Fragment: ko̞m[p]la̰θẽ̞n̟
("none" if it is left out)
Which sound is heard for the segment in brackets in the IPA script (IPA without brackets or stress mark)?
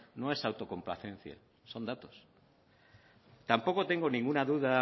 p